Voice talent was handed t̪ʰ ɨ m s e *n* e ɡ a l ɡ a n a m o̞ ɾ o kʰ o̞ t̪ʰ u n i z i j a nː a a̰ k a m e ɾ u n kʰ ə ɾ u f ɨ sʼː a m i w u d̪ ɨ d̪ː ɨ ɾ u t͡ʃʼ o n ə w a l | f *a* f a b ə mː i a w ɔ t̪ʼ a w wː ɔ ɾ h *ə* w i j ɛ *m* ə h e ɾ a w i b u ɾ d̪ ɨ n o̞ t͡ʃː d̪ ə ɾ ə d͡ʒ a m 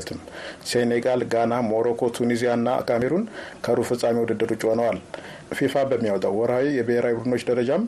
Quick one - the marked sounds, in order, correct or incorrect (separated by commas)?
correct, incorrect, incorrect, incorrect